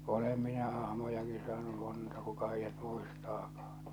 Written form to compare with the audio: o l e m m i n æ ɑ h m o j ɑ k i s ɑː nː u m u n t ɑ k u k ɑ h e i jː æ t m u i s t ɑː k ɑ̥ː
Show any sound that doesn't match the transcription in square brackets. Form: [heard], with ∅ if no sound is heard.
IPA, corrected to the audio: o l e m m i n æ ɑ h m o j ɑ k i s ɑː [n] u m [o] n t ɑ k u k ɑ h e i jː æ t m u i s t ɑː k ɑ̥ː

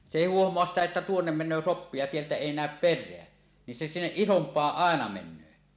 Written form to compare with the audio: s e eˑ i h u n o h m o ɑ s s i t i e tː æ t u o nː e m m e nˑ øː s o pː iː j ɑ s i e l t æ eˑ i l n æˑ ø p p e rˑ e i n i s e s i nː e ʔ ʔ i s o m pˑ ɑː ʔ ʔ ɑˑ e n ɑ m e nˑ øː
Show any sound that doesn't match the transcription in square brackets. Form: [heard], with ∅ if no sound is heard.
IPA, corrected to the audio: s e eˑ i h u [∅] o h m o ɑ s s i t [æ] e tː æ t u o nː e m m e nˑ øː s o pː [i] j ɑ s i e l t æ eˑ i [∅] n æˑ ø p p e rˑ e [æ] n i s e s i nː e ʔ ʔ i s o m pˑ ɑː ʔ ʔ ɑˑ e n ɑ m e nˑ øː

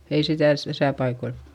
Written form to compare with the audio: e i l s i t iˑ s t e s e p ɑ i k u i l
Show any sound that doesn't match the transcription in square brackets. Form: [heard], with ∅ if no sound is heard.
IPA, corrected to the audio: e i [∅] s i t [æˑ] s t [æ] s [æ] p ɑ i k [o] i l

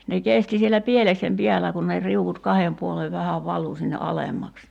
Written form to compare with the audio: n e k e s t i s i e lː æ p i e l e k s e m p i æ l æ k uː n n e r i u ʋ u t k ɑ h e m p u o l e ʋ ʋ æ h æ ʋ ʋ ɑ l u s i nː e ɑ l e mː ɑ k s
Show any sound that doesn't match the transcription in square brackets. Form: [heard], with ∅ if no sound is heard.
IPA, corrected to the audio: n e k e s t i s i e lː æ p i e l e k s e m p i æ l æ k [u] n n e r i u ʋ u t k ɑ h e m p u o l e ʋ ʋ æ h æ ʋ ʋ ɑ l u s i nː e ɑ l e mː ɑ k s

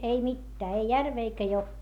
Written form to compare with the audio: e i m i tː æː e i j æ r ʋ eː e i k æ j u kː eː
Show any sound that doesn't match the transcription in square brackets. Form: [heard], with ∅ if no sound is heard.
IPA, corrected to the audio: e i m i tː æː e i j æ r ʋ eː e i k æ j [o] kː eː

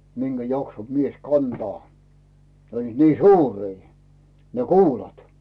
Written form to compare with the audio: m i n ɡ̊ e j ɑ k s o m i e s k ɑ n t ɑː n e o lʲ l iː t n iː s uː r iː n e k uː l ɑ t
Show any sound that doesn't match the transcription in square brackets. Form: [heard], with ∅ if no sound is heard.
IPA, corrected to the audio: m i n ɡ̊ [æ] j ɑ k s o m i e s k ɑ n t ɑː n e o lʲ l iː t n iː s uː r iː n e k uː l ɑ t

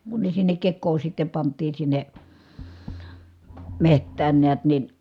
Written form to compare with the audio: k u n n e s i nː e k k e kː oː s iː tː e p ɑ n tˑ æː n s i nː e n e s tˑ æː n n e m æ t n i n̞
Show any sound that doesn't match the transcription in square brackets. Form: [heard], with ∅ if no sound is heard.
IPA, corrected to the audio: k u n n e s i nː e k k e kː oː s [i] tː e p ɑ n tˑ [iː] n s i nː e [m] e [h] tˑ æː n n e [∅] æ t n i n̞

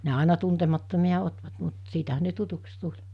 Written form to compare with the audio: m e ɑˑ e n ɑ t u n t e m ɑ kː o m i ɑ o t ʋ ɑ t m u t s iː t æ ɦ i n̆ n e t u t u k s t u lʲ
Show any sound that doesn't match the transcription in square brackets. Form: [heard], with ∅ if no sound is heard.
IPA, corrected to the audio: [n] e ɑˑ e n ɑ t u n t e m ɑ [tː] o m i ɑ o t ʋ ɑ t m u t s iː t æ ɦ [æ] n̆ n e t u t u k s t u lʲ

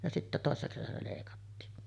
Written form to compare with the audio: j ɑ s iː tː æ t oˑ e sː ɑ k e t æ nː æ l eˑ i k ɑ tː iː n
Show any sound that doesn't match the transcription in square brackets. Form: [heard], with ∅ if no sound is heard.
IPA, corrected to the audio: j ɑ s [i] tː æ t oˑ e sː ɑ k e [s] æ [n] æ l eˑ i k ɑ tː iː n

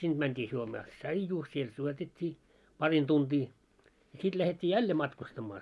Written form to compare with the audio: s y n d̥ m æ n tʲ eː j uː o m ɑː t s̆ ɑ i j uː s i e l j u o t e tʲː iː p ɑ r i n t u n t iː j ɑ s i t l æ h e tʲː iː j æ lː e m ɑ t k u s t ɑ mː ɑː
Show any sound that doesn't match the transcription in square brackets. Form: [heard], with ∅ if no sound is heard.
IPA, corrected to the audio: s [i] n d̥ m æ n tʲ [iː] j [u] o m ɑː t s̆ ɑ i j uː s i e l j u o t e tʲː iː p ɑ r i n t u n t iː j ɑ s i t l æ h e tʲː iː j æ lː e m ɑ t k u s t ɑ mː ɑː

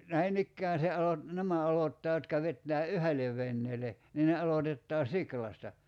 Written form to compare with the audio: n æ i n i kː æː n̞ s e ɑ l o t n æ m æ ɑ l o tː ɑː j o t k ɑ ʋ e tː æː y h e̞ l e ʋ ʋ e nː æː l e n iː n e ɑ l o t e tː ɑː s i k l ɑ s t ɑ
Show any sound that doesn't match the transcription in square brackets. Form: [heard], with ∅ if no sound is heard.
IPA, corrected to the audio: n æ i n i kː æː n̞ s e ɑ l o t n æ m æ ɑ l o tː ɑː j o t k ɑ ʋ e tː æː y h e̞ l e ʋ ʋ e nː [eː] l e n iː n e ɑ l o t e tː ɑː s i k l ɑ s t ɑ

